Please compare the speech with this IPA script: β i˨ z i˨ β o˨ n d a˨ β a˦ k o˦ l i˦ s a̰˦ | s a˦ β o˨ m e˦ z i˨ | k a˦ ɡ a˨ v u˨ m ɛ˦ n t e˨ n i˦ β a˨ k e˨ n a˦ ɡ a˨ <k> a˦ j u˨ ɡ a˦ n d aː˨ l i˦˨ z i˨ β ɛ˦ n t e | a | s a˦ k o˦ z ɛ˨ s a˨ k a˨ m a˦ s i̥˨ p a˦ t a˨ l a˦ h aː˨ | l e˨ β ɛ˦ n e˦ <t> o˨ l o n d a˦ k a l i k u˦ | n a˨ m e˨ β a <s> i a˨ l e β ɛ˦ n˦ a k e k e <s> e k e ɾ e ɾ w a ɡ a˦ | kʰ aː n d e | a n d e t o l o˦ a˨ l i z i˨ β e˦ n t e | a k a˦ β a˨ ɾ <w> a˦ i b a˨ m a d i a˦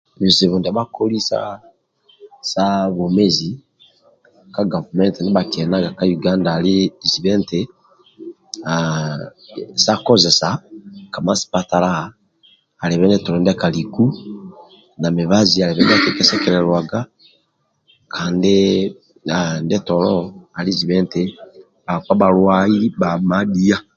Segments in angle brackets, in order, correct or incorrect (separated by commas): correct, correct, incorrect, correct, correct